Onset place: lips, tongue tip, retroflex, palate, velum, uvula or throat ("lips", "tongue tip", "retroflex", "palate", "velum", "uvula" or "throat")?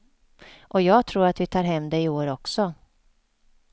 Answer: throat